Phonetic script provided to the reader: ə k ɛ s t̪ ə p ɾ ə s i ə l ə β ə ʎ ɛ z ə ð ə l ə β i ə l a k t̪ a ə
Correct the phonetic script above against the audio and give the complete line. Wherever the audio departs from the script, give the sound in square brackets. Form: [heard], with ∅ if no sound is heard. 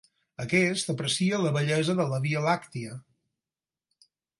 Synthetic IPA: ə k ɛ s t̪ ə p ɾ ə s i ə l ə β ə ʎ ɛ z ə ð ə l ə β i ə l a k t̪ [i] ə